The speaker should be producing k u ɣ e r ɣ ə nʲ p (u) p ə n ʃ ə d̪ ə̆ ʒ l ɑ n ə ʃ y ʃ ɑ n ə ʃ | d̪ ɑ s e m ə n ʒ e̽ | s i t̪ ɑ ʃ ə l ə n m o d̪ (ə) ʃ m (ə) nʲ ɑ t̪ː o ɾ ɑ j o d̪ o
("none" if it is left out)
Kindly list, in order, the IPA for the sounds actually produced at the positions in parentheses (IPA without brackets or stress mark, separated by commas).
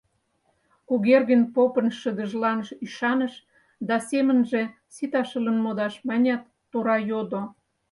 o, ɑ, ɑ